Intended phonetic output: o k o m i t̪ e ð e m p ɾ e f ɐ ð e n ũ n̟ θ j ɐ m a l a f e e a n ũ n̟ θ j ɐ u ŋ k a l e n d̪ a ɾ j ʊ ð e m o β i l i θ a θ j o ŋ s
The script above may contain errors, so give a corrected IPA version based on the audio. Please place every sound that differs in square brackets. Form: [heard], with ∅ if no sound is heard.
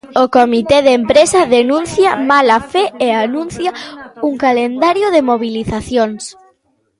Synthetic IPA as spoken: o k o m i t̪ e ð e m p ɾ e [s] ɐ ð e n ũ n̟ θ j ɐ m a l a f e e a n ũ n̟ θ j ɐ u ŋ k a l e n d̪ a ɾ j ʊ ð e m o β i l i θ a θ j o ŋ s